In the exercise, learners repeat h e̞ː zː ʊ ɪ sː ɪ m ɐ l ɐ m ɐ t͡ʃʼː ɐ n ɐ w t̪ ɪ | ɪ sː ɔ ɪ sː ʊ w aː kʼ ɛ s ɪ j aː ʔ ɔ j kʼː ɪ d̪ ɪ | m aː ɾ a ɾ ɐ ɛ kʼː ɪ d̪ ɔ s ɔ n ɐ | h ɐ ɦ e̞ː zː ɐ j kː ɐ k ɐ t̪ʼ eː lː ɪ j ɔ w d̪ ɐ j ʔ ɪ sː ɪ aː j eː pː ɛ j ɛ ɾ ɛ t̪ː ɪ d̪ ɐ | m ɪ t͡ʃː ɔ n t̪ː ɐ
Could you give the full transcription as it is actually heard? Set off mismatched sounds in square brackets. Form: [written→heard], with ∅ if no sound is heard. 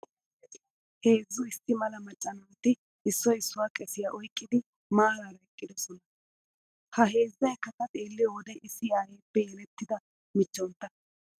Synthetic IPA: h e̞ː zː ʊ ɪ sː ɪ m ɐ l ɐ m ɐ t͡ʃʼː ɐ n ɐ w t̪ ɪ | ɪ sː ɔ ɪ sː ʊ w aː kʼ ɛ s ɪ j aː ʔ ɔ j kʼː ɪ d̪ ɪ | m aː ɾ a ɾ ɐ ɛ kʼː ɪ d̪ ɔ s ɔ n ɐ | h ɐ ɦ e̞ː zː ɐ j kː ɐ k ɐ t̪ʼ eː lː ɪ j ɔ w d̪ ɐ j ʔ ɪ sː ɪ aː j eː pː ɛ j ɛ [ɾ→l] ɛ t̪ː ɪ d̪ ɐ | m ɪ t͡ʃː ɔ n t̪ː ɐ